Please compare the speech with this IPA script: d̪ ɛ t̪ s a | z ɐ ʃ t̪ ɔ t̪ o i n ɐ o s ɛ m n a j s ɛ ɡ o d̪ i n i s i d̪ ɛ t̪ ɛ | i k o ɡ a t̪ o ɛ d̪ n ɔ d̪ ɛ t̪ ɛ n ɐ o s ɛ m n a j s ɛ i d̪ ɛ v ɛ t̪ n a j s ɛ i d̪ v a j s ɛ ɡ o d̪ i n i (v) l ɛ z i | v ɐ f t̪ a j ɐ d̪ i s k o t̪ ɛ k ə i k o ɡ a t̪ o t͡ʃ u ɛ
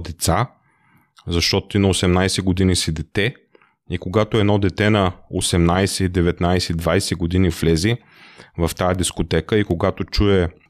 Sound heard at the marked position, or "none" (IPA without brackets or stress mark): f